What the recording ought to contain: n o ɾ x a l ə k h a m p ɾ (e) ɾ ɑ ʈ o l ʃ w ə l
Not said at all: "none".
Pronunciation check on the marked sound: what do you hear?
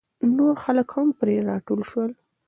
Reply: e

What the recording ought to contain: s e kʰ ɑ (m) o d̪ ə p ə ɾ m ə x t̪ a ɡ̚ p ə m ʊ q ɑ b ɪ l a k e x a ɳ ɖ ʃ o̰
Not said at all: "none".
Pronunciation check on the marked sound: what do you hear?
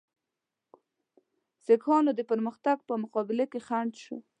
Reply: n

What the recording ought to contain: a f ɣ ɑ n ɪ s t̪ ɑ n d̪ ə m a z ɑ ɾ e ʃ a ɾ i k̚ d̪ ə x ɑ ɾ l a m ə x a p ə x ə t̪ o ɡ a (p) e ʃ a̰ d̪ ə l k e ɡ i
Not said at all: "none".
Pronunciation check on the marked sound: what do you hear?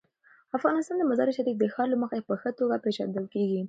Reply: p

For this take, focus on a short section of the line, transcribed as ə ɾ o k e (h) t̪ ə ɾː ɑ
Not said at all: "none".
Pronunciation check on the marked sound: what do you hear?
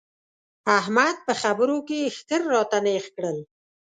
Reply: x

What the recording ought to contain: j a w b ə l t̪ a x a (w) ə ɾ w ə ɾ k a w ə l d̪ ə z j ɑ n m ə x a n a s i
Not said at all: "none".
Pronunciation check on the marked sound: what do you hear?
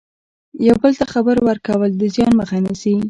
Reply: b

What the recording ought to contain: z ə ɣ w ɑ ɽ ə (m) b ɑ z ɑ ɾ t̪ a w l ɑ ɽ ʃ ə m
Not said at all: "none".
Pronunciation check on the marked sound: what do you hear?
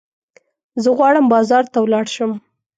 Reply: m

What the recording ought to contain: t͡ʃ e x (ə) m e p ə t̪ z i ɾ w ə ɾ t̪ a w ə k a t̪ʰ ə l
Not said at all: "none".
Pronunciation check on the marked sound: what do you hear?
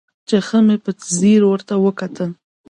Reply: ə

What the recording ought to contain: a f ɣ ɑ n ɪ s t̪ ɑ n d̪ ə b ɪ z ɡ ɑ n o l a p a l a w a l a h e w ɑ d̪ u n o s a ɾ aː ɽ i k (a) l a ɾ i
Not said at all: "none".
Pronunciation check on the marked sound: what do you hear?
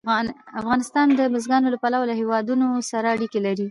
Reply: e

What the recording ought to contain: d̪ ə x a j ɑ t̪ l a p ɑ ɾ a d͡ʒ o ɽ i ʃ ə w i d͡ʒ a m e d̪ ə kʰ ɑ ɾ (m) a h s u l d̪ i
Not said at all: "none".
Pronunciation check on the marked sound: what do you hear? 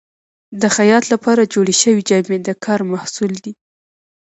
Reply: m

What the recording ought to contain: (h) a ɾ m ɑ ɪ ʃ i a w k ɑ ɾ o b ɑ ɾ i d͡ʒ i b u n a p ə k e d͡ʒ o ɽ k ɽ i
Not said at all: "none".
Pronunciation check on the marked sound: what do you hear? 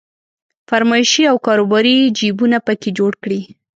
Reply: f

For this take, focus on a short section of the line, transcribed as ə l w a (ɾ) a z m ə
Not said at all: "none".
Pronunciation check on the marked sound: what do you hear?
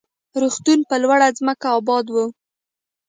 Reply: ɽ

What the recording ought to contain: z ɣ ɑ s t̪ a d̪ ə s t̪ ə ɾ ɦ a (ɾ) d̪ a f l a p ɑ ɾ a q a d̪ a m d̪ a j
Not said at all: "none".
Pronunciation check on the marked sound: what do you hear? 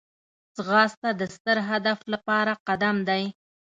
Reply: none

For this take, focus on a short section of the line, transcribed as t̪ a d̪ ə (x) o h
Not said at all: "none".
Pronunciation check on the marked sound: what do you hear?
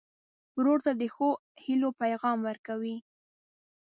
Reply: x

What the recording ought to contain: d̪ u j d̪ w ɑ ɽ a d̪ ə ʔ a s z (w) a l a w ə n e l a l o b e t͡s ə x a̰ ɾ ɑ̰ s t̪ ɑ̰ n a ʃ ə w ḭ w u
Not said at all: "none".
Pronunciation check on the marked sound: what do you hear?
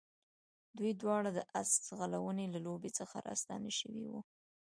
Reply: ɣ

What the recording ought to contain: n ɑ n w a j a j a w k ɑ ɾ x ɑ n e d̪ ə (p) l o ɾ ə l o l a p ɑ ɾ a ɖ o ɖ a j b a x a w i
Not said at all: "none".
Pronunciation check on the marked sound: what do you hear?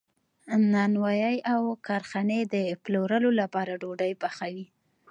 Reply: p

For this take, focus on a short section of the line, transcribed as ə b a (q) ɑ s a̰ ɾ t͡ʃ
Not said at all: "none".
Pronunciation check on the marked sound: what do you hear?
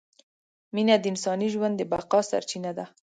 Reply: q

